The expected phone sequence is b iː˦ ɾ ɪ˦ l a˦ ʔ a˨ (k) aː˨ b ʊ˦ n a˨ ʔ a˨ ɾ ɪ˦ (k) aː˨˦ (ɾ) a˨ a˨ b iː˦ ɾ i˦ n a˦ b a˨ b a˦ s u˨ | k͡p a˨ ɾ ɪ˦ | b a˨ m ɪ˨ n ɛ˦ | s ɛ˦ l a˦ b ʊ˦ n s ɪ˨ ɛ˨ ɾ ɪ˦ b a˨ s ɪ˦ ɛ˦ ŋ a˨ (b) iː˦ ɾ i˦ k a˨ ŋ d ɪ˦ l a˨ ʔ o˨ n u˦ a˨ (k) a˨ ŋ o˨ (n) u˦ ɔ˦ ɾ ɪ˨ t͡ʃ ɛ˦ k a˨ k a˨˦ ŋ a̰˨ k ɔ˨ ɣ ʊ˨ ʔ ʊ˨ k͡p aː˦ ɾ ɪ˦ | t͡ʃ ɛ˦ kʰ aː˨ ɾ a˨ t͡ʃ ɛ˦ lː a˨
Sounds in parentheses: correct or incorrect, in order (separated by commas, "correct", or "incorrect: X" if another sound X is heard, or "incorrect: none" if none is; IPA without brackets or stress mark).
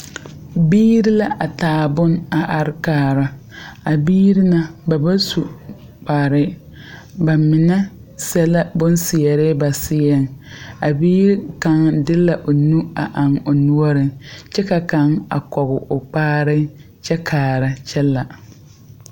incorrect: t, correct, correct, correct, incorrect: ʔ, correct